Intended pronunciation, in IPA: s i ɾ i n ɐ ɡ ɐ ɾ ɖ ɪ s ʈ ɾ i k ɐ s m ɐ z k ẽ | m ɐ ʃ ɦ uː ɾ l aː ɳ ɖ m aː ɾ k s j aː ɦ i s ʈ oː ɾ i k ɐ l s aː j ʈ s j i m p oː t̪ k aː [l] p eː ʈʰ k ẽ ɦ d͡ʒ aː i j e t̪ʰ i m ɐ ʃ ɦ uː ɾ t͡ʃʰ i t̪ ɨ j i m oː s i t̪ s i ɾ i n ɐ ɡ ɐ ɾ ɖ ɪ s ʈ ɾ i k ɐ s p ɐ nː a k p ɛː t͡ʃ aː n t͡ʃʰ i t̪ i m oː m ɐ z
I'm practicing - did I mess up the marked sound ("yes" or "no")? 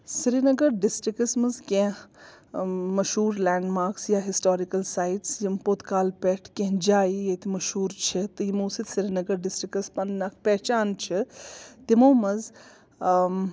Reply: no